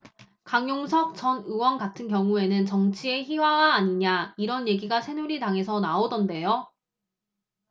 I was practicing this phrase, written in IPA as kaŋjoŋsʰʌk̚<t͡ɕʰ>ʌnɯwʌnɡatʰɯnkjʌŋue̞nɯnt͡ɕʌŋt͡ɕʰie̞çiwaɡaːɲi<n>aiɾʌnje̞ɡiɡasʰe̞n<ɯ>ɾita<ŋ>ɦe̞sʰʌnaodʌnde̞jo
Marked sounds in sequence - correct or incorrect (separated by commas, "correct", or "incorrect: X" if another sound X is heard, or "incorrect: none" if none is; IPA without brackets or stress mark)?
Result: incorrect: t͡ɕ, incorrect: ɲ, incorrect: u, correct